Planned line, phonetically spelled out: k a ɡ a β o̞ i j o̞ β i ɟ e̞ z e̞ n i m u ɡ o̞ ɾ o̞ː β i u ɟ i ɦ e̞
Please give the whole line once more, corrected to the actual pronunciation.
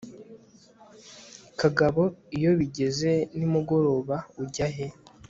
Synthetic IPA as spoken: k a ɡ a β o̞ i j o̞ β i ɟ e̞ z e̞ n i m u ɡ o̞ ɾ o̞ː β a u ɟ a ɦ e̞